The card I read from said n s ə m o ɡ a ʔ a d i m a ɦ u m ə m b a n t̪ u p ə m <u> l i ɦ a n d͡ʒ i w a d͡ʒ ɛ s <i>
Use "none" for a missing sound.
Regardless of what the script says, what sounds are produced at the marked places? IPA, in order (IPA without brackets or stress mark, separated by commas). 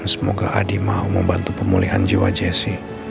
u, i